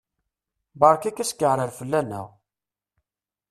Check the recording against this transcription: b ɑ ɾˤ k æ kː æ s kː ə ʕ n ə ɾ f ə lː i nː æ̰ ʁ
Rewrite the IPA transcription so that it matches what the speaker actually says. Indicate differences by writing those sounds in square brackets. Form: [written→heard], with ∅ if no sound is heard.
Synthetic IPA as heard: b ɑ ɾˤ k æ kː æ s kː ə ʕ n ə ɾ f ə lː [i→æ] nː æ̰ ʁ